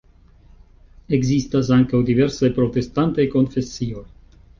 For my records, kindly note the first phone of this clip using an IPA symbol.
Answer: e̞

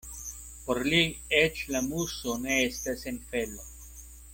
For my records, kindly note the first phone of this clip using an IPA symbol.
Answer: p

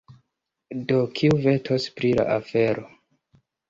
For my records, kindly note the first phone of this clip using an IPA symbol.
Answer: d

